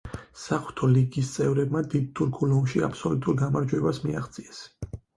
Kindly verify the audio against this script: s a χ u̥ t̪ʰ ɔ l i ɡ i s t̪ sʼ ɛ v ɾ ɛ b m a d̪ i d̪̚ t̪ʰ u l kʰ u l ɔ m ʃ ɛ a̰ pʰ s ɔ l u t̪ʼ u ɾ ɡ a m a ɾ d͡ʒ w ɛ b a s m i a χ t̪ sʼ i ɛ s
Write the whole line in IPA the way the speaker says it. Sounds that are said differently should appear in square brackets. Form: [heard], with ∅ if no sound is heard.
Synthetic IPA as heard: s a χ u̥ t̪ʰ ɔ l i ɡ i s t̪ sʼ ɛ v ɾ ɛ b m a d̪ i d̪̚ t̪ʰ u [ɾ] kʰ u l ɔ m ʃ [i] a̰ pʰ s ɔ l u t̪ʼ u ɾ ɡ a m a ɾ d͡ʒ w ɛ b a s m i a χ t̪ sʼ i ɛ s